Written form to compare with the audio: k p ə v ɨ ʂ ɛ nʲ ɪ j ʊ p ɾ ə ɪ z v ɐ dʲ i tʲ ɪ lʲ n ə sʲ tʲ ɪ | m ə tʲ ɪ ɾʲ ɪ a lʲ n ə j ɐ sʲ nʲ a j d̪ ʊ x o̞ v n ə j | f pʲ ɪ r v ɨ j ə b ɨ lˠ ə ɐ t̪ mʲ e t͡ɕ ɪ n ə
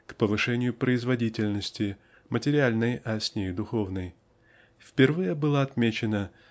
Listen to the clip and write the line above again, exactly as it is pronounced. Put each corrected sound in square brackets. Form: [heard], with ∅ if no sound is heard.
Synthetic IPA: k p ə v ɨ ʂ ɛ nʲ ɪ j ʊ p ɾ ə ɪ z v ɐ dʲ i tʲ ɪ lʲ n ə sʲ tʲ ɪ | m ə tʲ ɪ ɾʲ ɪ a lʲ n ə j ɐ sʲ nʲ [e] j d̪ ʊ x o̞ v n ə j | f pʲ ɪ r v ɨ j ə b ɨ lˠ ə ɐ t̪ mʲ e t͡ɕ ɪ n ə